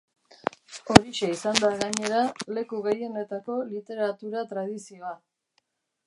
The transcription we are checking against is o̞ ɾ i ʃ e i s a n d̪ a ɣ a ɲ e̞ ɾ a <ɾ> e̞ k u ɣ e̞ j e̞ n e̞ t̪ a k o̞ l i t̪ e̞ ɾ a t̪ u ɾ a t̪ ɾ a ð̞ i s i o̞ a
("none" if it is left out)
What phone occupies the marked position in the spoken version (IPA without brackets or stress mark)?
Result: l